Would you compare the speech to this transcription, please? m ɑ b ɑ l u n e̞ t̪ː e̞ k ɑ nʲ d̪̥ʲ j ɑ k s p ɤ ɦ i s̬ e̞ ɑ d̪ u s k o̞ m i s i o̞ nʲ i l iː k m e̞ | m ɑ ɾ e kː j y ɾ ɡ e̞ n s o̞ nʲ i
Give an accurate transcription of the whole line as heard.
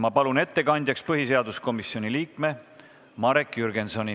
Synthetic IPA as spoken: m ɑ p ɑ l u n e̞ t̪ː e̞ k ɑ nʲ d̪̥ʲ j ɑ k s p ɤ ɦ i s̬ e̞ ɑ d̪ u s k o̞ m i s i o̞ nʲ i l iː k m e̞ | m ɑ ɾ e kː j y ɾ ɡ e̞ n s o̞ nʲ i